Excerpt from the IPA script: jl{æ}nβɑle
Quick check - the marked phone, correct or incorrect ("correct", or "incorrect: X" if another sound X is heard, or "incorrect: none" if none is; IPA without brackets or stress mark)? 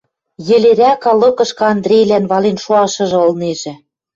correct